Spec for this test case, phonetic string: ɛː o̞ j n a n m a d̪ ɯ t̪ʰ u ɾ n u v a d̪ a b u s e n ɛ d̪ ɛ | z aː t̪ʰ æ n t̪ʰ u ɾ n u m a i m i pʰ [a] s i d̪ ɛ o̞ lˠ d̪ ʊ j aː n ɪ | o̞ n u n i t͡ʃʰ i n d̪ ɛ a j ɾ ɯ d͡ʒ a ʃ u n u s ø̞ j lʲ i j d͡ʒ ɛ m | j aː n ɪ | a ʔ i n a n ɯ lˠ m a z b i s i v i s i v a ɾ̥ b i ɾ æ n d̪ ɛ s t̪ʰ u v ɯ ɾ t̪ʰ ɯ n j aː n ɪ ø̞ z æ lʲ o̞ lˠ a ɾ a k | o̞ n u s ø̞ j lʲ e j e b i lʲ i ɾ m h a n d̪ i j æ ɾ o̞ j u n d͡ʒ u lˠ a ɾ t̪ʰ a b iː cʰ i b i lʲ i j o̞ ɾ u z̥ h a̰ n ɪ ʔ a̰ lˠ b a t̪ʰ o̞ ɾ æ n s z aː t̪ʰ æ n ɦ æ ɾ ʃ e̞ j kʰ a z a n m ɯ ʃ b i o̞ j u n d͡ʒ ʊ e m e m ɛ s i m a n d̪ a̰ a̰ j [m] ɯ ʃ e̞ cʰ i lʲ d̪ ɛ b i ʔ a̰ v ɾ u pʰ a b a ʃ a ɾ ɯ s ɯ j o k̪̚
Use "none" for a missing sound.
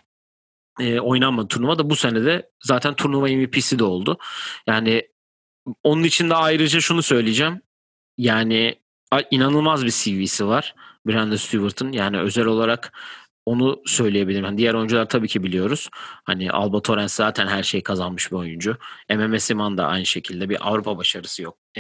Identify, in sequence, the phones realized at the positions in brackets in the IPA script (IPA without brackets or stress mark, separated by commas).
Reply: i, n